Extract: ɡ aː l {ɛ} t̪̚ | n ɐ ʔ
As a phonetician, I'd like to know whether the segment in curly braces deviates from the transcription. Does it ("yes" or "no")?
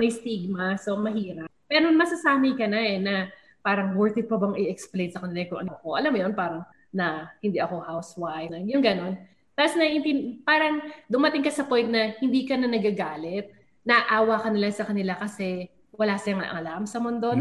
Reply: no